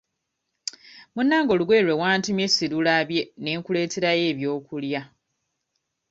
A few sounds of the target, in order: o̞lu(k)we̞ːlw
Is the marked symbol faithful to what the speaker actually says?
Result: no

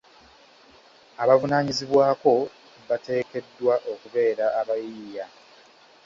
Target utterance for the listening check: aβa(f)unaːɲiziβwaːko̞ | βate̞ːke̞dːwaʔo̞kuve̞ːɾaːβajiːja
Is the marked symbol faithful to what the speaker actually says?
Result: no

